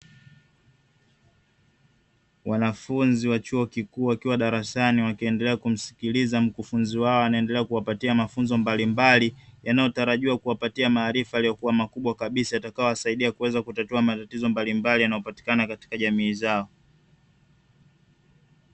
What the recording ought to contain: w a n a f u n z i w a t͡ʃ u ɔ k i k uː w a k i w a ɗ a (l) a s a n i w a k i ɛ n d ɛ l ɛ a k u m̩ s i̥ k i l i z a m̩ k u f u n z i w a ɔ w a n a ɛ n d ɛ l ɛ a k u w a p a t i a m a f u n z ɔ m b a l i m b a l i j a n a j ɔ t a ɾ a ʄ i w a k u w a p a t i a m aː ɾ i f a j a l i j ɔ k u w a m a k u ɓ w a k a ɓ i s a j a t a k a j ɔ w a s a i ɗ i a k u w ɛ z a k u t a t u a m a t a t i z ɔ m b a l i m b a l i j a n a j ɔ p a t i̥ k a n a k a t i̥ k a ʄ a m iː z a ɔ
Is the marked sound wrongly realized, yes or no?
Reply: yes